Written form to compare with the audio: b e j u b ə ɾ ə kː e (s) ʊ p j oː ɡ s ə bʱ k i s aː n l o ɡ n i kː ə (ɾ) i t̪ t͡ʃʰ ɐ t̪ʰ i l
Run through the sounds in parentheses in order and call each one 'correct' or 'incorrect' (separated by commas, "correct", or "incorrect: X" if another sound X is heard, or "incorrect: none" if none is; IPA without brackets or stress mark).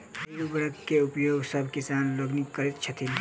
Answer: incorrect: none, correct